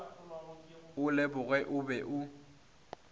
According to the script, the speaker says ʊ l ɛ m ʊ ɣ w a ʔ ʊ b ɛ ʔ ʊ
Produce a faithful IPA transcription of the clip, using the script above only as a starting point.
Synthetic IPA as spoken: ʊ l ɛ b ʊ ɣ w ɛ ʔ ʊ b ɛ ʔ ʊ